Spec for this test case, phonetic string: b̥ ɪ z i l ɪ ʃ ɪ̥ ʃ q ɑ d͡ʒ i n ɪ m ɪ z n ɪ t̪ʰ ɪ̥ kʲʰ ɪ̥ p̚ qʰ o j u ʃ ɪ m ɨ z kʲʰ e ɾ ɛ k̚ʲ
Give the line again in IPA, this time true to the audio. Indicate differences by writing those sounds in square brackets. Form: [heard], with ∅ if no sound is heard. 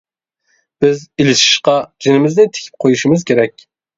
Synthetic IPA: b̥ ɪ z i l ɪ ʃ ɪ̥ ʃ q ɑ d͡ʒ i n ɪ m ɪ z n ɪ t̪ʰ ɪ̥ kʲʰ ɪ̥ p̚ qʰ o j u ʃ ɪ m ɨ z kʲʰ e ɾ ɛ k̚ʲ